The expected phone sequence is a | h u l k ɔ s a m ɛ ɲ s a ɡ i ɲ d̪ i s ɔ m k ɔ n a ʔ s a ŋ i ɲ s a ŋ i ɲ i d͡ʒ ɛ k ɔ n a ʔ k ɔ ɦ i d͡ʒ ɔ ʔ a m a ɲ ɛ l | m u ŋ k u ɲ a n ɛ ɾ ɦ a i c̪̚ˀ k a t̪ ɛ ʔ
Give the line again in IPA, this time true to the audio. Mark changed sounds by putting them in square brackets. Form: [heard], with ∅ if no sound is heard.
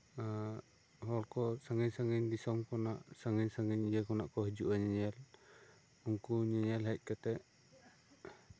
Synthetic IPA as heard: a | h [ɔ] l k ɔ s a [ŋ] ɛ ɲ s a [ŋ] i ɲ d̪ i s ɔ m k ɔ n a ʔ s a ŋ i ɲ s a ŋ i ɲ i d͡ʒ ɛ k ɔ n a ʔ k ɔ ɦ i d͡ʒ [u] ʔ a [ɲ] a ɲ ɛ l | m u ŋ k u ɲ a [ɲ] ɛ [l] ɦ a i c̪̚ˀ k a t̪ ɛ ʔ